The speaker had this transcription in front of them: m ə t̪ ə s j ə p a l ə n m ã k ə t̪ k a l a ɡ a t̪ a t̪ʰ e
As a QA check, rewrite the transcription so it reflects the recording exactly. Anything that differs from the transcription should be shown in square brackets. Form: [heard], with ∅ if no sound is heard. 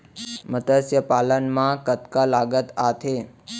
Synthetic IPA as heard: m ə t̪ ə s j ə p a l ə n m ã k ə t̪ k a l a ɡ [ə] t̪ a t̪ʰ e